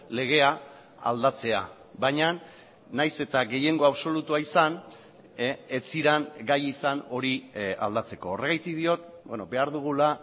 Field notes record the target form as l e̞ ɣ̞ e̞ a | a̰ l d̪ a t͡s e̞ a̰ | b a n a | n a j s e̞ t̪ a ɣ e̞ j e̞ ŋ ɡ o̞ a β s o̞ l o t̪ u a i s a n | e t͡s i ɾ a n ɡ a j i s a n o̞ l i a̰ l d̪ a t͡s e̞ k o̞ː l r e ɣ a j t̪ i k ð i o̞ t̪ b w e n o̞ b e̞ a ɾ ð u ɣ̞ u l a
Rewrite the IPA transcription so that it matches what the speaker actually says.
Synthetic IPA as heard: l e̞ ɣ̞ e̞ a | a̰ l d̪ a t͡s e̞ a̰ | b a ɲ a | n a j s e̞ t̪ a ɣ e̞ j e̞ ŋ ɡ o̞ a β s o̞ l u t̪ u a i s a n | e t͡s i ɾ a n ɡ a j i s a n o̞ ɾ i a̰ l d̪ a t͡s e̞ k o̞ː r e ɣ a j t̪ i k ð i o̞ t̪ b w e n o̞ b e̞ a ɾ ð u ɣ̞ u l a

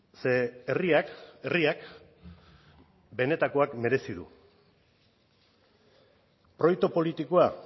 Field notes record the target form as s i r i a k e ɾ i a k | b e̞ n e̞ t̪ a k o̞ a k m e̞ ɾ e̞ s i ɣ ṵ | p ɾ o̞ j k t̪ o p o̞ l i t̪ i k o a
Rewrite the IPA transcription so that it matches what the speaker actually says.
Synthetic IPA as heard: s e r i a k e r i a k | b e̞ n e̞ t̪ a k o̞ a k m e̞ ɾ e̞ s i ð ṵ | p ɾ o̞ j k t̪ o p o̞ l i t̪ i k o a

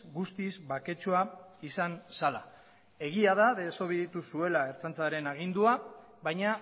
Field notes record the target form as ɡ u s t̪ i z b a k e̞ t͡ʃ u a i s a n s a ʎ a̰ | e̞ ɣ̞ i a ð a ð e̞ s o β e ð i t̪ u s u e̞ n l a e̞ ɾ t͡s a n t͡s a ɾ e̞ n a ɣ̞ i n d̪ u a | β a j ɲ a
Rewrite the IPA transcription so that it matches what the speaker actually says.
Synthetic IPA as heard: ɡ u s t̪ i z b a k e̞ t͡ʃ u a i s a n s a l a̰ | e̞ ɣ̞ i a ð a ð e̞ s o β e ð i t̪ u s u e̞ l a e̞ ɾ t͡s a n t͡s a ɾ e̞ n a ɣ̞ i n d̪ u a | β a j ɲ a

